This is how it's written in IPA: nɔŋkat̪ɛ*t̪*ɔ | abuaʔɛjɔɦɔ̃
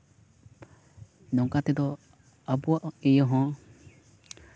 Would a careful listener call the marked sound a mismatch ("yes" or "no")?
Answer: yes